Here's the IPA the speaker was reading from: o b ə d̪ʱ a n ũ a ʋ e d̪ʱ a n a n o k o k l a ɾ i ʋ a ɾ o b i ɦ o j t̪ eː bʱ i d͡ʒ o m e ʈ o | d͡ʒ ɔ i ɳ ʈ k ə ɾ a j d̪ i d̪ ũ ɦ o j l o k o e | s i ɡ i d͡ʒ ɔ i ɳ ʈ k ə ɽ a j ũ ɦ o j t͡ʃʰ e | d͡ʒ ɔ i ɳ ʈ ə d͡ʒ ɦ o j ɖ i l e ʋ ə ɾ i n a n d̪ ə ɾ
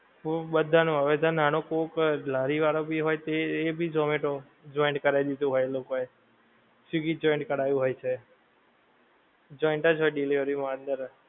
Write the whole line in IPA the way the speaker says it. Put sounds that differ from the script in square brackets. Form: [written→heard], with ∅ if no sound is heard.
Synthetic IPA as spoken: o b ə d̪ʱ a n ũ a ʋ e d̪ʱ a n a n o k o k l a ɾ i ʋ a ɾ o b i ɦ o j t̪ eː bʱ i d͡ʒ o m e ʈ o | d͡ʒ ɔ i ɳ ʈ k ə ɾ a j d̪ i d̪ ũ ɦ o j l o k o e | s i ɡ i d͡ʒ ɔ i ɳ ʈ k ə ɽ a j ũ ɦ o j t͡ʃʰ e | d͡ʒ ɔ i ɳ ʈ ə d͡ʒ ɦ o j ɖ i l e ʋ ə ɾ i [n→m] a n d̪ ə ɾ